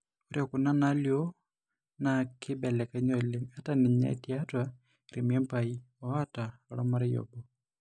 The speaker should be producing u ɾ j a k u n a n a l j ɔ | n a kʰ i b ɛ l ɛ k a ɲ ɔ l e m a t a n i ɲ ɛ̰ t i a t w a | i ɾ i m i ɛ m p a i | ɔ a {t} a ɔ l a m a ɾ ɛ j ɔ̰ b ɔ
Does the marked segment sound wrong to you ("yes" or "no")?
no